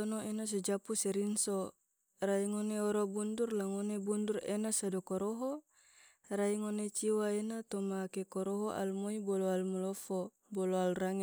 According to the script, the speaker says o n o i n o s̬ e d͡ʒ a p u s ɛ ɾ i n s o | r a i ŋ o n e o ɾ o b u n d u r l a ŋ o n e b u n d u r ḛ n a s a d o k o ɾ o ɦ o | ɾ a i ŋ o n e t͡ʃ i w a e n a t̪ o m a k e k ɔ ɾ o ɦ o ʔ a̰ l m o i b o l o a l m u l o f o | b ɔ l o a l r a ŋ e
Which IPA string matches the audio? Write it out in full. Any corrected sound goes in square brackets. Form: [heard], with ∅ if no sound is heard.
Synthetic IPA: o n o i n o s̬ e d͡ʒ a p u s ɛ ɾ i n s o | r a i ŋ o n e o ɾ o b u n d u r l a ŋ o n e b u n d u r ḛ n a s a d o k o ɾ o ɦ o | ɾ a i ŋ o n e t͡ʃ i w a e n a t̪ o m a k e k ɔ ɾ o ɦ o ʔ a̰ l m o i b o l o a l m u l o f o | b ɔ l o a l r a ŋ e